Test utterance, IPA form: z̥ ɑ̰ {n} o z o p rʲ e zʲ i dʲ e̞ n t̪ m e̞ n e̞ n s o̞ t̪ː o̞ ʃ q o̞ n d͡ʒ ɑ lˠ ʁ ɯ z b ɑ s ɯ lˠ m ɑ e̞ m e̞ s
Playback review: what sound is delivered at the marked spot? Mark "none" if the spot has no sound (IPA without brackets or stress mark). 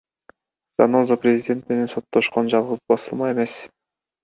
n